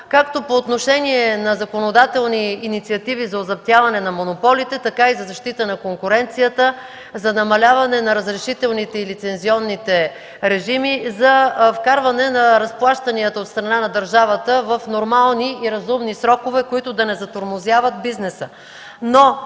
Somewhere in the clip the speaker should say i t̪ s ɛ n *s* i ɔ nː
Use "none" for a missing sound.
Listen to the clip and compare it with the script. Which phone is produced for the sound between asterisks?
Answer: z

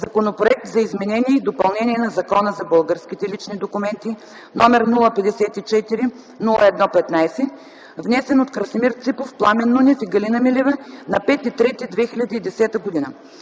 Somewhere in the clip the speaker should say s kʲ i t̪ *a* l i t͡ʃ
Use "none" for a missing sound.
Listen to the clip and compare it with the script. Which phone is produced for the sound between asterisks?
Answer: ɛ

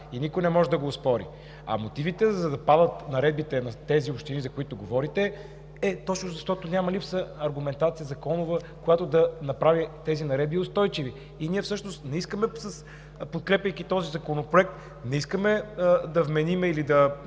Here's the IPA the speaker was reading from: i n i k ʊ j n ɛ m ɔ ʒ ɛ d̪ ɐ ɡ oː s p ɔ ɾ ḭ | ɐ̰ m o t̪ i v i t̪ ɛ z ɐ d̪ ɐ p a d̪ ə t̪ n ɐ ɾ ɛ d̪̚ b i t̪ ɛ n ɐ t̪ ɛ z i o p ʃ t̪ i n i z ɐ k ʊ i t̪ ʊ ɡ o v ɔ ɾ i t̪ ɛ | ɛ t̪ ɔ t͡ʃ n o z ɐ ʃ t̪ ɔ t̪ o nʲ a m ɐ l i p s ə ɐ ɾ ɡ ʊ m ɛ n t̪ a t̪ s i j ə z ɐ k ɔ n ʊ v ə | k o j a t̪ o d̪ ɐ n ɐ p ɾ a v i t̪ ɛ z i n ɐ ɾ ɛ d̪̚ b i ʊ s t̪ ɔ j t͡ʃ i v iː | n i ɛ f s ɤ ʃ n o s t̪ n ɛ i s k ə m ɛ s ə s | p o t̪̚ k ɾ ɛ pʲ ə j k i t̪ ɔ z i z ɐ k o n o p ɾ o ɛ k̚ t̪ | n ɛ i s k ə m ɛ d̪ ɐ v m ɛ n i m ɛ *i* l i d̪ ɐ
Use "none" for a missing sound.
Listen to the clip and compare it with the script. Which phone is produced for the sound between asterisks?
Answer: i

